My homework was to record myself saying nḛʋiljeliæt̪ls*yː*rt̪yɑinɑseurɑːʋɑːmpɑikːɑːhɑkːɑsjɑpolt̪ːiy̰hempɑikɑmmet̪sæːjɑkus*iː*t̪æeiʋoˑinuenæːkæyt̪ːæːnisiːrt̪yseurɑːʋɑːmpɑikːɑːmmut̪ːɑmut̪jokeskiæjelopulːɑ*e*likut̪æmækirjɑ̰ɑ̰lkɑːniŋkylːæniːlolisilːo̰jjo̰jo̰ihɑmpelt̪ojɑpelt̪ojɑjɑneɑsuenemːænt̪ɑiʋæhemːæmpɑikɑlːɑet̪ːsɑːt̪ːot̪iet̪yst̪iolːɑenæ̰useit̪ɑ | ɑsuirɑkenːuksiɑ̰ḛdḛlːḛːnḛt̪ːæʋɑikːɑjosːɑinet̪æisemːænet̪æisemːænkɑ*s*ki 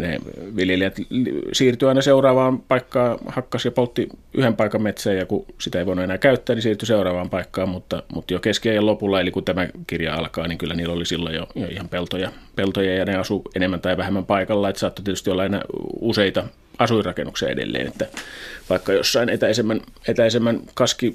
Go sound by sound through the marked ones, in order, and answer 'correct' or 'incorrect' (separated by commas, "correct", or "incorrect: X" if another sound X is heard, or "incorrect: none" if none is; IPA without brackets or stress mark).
incorrect: iː, incorrect: i, correct, correct